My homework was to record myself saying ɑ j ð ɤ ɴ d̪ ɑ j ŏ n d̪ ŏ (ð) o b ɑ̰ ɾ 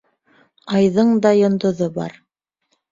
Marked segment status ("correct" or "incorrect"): correct